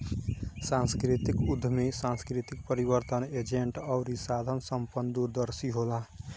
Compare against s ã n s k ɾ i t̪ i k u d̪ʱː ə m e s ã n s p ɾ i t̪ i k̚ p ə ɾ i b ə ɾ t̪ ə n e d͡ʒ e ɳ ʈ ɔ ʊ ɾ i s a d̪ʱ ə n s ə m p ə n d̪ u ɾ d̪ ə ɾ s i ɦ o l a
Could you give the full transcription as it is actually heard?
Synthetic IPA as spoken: s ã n s k ɾ i t̪ i k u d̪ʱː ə m e s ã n s k ɾ i t̪ i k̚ p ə ɾ i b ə ɾ t̪ ə n e d͡ʒ e ɳ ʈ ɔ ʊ ɾ i s a d̪ʱ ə n s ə m p ə n d̪ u ɾ d̪ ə ɾ s i ɦ o l a